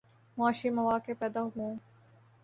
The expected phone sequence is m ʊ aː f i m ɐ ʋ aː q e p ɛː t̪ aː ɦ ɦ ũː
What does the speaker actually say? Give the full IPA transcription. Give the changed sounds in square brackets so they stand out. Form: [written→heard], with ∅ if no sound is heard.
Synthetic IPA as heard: m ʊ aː [f→ʃ] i m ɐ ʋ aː [q→k] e p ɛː [t̪→d̪] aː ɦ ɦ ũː